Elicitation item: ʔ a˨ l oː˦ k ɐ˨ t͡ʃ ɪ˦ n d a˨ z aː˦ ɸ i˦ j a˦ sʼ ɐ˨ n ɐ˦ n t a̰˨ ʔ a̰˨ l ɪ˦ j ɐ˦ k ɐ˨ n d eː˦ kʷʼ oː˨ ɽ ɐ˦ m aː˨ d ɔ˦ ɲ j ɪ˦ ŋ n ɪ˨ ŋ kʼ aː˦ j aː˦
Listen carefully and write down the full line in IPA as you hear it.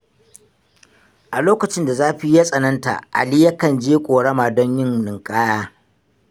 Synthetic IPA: ʔ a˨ l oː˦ k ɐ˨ t͡ʃ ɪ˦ n d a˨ z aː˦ ɸ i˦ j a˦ sʼ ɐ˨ n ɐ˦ n t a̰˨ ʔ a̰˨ l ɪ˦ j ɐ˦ k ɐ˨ n d͡ʒ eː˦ kʷʼ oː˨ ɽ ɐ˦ m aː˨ d ɔ˦ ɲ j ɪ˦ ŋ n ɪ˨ ŋ kʼ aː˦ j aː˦